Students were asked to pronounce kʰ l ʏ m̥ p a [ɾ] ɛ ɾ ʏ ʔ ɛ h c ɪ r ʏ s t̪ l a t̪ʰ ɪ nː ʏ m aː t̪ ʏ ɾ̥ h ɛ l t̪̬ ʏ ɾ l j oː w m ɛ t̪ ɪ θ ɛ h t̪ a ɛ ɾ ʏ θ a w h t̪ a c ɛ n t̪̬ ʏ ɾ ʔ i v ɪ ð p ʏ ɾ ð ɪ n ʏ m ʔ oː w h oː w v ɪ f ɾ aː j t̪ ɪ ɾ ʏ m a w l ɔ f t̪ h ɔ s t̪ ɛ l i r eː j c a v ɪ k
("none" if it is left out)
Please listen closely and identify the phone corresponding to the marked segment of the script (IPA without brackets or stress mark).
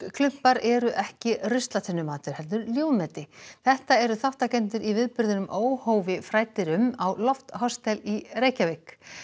ɾ